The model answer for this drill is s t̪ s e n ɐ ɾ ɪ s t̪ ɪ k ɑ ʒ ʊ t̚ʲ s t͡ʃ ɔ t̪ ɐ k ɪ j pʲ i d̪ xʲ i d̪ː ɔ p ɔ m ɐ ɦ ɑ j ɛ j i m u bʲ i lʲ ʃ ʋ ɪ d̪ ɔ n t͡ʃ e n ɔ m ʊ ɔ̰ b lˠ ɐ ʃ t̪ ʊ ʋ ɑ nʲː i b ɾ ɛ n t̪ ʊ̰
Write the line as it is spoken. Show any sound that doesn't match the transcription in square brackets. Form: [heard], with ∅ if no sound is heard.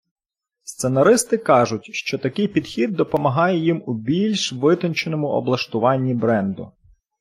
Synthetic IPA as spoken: s t̪ s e n ɐ ɾ ɪ s t̪ ɪ k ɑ ʒ ʊ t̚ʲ [ʃ] t͡ʃ ɔ t̪ ɐ k ɪ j pʲ i d̪ xʲ i d̪ː ɔ p ɔ m ɐ ɦ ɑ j ɛ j i m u bʲ i lʲ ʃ ʋ ɪ [t̪] ɔ n t͡ʃ e n ɔ m ʊ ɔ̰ b lˠ ɐ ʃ t̪ ʊ ʋ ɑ nʲː i b ɾ ɛ n [d̪] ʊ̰